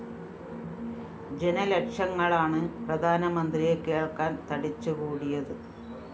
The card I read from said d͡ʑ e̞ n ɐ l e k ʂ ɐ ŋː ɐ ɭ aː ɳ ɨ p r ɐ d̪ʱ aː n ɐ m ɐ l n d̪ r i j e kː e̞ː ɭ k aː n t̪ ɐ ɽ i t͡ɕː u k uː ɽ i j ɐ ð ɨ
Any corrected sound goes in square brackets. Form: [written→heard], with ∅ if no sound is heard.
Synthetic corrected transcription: d͡ʑ e̞ n ɐ l e k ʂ ɐ ŋː ɐ ɭ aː ɳ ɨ p r ɐ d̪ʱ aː n ɐ m ɐ [l→∅] n d̪ r i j e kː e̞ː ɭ k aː n t̪ ɐ ɽ i t͡ɕː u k uː ɽ i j ɐ ð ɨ

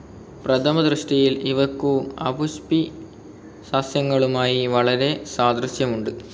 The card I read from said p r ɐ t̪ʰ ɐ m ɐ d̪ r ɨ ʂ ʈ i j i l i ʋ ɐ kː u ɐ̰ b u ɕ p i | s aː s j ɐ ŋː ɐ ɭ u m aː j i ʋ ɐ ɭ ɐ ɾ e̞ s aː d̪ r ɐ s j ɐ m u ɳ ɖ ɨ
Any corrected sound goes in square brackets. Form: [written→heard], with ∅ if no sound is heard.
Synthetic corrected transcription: p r ɐ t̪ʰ ɐ m ɐ d̪ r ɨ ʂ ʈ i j i l i ʋ ɐ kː u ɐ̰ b u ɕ p i | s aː s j ɐ ŋː ɐ ɭ u m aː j i ʋ ɐ ɭ ɐ ɾ e̞ s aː d̪ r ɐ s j ɐ m u ɳ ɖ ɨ

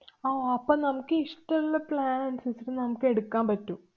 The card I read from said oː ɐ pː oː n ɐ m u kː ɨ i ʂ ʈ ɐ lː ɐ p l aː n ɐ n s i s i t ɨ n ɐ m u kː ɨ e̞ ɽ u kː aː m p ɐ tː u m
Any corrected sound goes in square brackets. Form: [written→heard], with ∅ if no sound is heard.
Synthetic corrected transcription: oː ɐ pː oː n ɐ m u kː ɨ i ʂ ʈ ɐ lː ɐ p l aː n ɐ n s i s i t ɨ n ɐ m u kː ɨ e̞ ɽ u kː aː m p ɐ tː u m

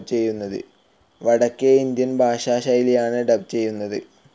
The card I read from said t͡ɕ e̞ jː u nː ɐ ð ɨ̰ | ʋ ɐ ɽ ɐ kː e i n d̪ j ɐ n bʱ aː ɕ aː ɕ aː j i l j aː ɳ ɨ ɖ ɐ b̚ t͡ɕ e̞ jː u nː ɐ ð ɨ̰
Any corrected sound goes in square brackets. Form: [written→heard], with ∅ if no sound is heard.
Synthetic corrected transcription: t͡ɕ e̞ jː u nː ɐ ð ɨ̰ | ʋ ɐ ɽ ɐ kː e i n d̪ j ɐ n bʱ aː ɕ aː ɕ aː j i l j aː ɳ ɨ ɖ ɐ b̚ t͡ɕ e̞ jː u nː ɐ ð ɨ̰

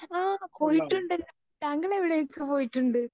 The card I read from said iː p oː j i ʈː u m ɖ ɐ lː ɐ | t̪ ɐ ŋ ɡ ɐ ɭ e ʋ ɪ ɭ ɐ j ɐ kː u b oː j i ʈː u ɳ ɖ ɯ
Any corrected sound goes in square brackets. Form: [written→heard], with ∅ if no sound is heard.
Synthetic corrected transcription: [iː→aː] p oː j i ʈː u [m→ɳ] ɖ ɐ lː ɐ | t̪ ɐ ŋ ɡ ɐ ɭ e ʋ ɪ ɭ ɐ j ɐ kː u [b→p] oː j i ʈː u ɳ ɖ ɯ

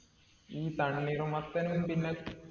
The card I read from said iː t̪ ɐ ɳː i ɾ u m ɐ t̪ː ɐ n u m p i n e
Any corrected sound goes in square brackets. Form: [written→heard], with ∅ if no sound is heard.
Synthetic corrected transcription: iː t̪ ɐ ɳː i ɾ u m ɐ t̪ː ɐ n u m p i [n→nː] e

